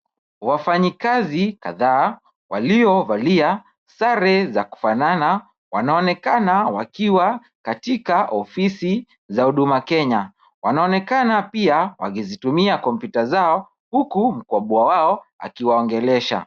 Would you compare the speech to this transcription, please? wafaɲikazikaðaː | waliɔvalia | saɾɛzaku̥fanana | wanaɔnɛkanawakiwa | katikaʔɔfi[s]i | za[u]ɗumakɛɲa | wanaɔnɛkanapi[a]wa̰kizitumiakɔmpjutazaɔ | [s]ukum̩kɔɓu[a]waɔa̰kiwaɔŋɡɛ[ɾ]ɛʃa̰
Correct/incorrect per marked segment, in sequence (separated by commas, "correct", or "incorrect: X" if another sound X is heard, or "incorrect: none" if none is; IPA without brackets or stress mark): correct, correct, correct, incorrect: h, correct, incorrect: l